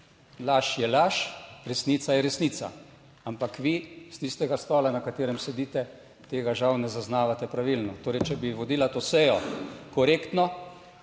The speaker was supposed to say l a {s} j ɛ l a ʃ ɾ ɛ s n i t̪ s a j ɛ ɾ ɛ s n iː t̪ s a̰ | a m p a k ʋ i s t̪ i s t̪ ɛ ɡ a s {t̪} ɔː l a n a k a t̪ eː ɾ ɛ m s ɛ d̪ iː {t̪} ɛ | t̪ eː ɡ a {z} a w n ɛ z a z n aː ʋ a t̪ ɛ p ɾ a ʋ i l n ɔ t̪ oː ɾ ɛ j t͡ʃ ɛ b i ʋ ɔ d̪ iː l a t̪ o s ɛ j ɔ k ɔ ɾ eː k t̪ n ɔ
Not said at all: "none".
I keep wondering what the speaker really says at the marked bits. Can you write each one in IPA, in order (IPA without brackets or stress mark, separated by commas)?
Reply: ʃ, t̪, t̪, ʒ